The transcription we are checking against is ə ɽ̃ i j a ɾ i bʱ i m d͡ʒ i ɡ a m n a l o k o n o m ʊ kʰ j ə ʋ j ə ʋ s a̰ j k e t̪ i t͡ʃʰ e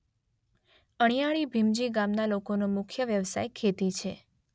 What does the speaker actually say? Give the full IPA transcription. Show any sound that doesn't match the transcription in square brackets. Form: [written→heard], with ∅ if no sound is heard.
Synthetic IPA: ə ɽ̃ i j a [ɾ→ɭ] i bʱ i m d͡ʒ i ɡ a m n a l o k o n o m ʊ kʰ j ə ʋ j ə ʋ s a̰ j [k→kʰ] e t̪ i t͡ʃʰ e